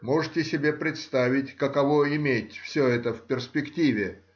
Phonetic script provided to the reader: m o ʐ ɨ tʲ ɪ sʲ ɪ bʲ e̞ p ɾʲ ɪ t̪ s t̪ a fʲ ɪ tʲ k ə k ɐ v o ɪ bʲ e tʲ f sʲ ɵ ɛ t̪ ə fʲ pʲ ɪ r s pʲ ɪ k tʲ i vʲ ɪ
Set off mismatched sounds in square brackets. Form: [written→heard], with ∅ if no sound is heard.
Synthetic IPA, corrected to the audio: m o ʐ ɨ tʲ ɪ sʲ ɪ bʲ e̞ p ɾʲ ɪ t̪ s t̪ a [fʲ→vʲ] ɪ tʲ k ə k ɐ v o ɪ [bʲ→mʲ] e tʲ f sʲ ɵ ɛ t̪ ə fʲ pʲ ɪ r s pʲ ɪ k tʲ i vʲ ɪ